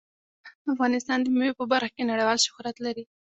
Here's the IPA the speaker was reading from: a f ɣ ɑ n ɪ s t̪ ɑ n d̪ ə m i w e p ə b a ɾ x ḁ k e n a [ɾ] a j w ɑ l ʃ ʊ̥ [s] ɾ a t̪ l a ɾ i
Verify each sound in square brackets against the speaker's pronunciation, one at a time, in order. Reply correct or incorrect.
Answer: incorrect: ɽ, incorrect: h

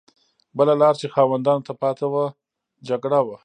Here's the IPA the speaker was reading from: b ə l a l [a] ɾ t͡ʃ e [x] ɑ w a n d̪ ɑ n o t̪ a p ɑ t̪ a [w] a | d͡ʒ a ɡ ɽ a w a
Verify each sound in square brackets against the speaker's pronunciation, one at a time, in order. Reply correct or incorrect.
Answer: incorrect: ɑ, correct, correct

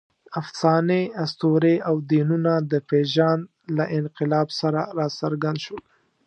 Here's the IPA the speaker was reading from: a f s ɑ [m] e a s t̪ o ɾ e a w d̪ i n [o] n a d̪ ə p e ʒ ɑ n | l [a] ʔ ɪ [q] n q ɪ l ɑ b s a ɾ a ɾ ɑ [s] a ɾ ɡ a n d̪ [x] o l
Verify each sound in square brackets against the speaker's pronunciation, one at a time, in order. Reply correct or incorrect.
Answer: incorrect: n, incorrect: u, correct, incorrect: none, correct, incorrect: ʃ

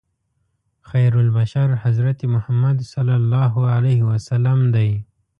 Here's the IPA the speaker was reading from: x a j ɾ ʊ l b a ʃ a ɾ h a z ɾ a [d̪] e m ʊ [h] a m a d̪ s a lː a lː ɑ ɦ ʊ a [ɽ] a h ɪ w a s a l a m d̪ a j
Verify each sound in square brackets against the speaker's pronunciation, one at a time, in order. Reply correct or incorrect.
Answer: incorrect: t̪, correct, incorrect: l

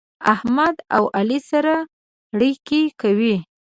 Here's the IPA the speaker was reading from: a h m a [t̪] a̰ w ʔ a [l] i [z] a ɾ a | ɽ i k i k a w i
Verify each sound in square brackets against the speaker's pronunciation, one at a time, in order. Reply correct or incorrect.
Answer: incorrect: d̪, correct, incorrect: s

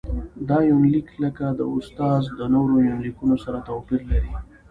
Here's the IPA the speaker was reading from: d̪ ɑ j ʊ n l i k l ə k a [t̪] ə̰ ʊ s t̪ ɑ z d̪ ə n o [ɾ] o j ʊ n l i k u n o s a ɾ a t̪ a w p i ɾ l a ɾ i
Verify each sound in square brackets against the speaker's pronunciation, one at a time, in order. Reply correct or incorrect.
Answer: incorrect: d̪, correct

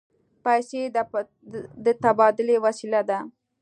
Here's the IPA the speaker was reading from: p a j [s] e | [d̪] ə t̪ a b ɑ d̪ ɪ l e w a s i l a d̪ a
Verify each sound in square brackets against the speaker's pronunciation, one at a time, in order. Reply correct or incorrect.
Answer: correct, correct

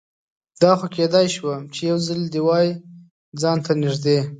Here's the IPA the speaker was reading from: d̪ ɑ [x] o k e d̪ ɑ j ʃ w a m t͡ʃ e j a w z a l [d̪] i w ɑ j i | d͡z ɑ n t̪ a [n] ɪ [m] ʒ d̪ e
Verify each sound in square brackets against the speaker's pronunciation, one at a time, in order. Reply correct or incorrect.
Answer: correct, correct, correct, incorrect: none

